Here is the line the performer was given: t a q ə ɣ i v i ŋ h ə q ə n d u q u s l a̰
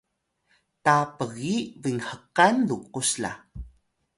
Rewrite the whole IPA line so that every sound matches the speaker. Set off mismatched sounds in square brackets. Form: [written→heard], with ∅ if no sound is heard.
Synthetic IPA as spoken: t a [q→p] ə ɣ i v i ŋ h ə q [ə→a] n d u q u s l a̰

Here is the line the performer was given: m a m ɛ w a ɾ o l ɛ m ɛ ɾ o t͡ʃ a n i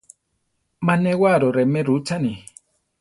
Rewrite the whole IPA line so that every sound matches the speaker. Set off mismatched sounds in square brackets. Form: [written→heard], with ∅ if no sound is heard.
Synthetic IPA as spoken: m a [m→n] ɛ w a ɾ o [l→ɾ] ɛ m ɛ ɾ [o→u] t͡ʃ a n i

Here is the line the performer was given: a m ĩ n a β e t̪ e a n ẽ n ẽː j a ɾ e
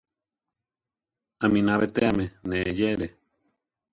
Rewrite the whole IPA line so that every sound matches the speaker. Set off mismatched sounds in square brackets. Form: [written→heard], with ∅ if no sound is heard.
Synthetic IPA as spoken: a m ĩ n a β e t̪ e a [n→m] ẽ n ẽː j [a→e] ɾ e

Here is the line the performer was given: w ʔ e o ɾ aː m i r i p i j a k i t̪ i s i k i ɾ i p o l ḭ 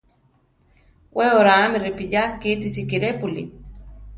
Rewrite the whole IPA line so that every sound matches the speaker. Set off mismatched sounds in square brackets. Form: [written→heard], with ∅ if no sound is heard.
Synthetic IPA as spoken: w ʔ e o ɾ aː m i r i p i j a k i t̪ i s i k i ɾ [i→e] p [o→u] l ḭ

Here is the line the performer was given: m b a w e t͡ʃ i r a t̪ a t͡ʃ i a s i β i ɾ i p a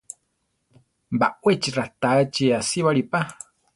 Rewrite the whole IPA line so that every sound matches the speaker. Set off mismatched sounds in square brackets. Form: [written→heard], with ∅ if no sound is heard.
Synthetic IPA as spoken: m b a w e t͡ʃ i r a t̪ a t͡ʃ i a s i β [i→a] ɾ i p a

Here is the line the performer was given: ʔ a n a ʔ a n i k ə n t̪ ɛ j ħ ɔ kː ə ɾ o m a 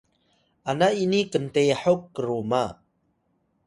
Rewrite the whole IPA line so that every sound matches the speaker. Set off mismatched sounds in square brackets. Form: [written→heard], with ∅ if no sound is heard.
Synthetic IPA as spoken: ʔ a n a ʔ [a→i] n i k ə n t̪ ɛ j ħ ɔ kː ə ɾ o m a

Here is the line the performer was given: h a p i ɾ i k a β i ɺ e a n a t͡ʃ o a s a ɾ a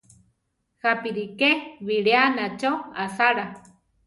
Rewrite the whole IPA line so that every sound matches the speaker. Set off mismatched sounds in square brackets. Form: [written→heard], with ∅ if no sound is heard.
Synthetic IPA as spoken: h a p i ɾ i k [a→e] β i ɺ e a n a t͡ʃ o a s a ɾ a

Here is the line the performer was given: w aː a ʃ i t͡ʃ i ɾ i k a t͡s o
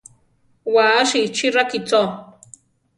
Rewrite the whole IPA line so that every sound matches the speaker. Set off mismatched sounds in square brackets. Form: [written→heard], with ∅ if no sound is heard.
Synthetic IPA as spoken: w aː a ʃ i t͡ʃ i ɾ [i→a] k [a→i] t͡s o

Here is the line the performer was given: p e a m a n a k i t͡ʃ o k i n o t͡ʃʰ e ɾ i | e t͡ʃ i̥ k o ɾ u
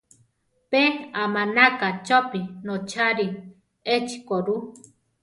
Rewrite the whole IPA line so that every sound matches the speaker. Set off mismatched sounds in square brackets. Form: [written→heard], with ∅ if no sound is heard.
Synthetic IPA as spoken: p e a m a n a k [i→a] t͡ʃ o [k→p] i n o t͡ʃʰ [e→a] ɾ i | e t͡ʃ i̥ k o ɾ u

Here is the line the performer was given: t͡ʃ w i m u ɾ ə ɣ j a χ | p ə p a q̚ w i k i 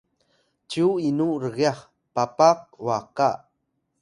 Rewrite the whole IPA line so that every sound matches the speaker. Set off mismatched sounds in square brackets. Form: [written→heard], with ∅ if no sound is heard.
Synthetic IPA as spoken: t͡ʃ [w→u] i [m→n] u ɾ ə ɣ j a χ | p [ə→a] p a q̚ w [i→a] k [i→a]

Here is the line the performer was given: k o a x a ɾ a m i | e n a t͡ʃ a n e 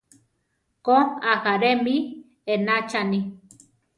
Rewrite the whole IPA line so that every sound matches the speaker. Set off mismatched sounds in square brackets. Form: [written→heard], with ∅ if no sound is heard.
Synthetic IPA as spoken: k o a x a ɾ [a→e] m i | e n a t͡ʃ a n [e→i]

